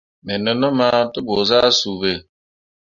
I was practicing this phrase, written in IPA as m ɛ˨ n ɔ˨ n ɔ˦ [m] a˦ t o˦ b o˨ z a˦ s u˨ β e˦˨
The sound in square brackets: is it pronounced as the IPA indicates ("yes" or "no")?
yes